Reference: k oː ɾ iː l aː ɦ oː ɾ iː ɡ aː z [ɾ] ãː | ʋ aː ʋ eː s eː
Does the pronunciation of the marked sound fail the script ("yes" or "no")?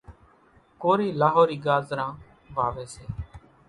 no